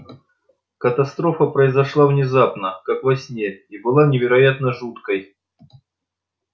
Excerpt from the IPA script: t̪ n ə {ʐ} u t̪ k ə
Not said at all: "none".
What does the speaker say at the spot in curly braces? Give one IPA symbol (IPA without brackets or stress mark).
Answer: ʐ